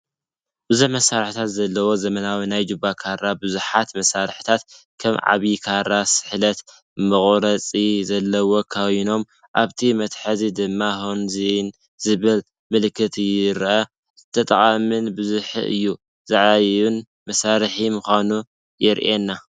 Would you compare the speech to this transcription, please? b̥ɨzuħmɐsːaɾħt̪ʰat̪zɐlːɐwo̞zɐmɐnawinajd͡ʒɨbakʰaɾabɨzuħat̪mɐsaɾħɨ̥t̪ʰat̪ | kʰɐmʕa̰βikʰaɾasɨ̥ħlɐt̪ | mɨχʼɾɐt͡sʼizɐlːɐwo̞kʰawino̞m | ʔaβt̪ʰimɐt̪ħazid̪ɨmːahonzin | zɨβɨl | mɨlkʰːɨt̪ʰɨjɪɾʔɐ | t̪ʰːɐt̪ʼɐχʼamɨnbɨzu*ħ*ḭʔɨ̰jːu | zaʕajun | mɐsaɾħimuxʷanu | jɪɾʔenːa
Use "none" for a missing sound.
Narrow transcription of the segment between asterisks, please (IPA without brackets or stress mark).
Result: ħ